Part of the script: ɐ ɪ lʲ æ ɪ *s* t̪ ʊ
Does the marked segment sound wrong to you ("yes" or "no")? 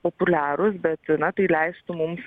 no